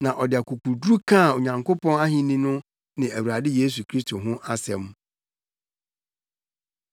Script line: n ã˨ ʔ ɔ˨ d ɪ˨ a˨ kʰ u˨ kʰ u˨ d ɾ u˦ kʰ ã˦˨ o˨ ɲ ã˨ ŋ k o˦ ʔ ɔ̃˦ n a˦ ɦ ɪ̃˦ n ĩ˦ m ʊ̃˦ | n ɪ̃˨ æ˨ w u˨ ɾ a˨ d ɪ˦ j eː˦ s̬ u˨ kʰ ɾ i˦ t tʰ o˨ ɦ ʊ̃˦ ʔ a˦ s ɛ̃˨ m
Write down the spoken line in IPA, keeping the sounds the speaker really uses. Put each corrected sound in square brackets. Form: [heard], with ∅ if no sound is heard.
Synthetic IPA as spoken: n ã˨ ʔ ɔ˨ d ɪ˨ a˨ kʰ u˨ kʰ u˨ d ɾ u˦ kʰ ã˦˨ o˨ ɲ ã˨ ŋ k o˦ [p] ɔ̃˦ n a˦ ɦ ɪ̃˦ n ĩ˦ [n] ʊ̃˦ | n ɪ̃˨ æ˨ w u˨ ɾ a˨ d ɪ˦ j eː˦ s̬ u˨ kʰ ɾ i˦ [s] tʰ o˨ ɦ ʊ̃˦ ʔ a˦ s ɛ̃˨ m